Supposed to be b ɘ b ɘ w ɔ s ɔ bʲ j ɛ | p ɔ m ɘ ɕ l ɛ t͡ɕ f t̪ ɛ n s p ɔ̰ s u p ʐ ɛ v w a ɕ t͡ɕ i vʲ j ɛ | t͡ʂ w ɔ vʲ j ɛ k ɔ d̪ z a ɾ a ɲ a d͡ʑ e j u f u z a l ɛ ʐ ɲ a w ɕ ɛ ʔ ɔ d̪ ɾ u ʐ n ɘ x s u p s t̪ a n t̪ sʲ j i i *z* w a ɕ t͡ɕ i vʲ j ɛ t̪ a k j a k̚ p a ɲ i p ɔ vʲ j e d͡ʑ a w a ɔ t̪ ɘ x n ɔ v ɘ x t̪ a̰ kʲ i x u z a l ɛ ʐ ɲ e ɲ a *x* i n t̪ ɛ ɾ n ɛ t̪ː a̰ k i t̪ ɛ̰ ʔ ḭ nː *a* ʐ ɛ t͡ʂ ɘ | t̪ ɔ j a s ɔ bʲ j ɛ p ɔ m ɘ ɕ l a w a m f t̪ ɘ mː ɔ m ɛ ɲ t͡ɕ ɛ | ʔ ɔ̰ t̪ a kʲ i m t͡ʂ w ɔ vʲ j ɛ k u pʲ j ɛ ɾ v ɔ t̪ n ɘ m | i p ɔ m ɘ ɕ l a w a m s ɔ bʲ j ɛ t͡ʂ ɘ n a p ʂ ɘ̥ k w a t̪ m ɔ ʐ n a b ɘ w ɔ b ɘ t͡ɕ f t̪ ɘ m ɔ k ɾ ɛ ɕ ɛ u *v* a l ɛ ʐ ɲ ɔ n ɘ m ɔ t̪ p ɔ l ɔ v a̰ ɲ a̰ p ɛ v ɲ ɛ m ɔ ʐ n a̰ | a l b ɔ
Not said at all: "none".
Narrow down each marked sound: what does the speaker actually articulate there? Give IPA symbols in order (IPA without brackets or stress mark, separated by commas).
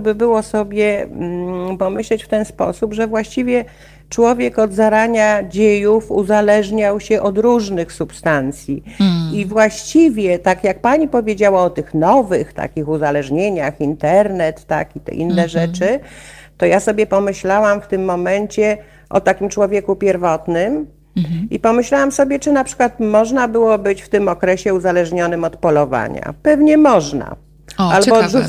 v, x, ɛ, z